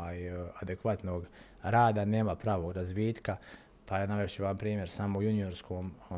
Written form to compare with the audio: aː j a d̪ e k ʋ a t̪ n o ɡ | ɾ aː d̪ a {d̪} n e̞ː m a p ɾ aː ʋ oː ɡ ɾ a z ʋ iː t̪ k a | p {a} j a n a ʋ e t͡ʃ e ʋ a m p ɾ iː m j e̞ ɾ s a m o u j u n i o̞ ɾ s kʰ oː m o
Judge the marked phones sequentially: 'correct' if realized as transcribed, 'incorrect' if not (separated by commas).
incorrect, correct